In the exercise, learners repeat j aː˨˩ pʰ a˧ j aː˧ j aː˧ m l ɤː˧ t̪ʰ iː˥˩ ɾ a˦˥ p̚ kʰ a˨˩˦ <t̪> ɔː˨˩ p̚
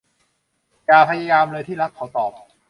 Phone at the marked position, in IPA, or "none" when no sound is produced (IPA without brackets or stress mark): t̪